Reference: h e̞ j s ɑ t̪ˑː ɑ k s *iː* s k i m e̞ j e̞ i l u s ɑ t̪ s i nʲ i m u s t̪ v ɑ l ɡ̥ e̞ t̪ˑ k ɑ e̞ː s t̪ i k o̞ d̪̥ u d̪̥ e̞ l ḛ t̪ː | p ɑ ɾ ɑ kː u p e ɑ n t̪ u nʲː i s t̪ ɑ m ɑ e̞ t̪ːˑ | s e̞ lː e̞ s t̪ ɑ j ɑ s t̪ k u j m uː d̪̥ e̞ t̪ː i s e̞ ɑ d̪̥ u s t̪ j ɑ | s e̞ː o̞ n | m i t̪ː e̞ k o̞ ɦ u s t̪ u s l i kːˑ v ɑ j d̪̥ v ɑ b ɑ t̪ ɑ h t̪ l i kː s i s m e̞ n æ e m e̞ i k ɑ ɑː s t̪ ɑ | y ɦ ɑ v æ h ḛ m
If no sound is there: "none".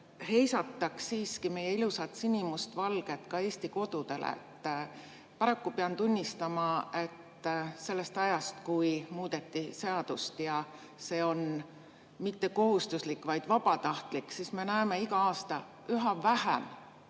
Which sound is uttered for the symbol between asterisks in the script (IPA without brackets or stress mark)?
iː